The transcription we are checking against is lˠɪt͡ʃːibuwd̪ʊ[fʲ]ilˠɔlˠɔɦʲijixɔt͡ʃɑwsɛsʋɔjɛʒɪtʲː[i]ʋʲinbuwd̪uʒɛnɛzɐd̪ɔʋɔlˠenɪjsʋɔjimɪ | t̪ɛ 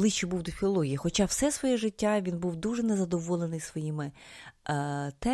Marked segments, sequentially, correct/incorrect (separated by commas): correct, incorrect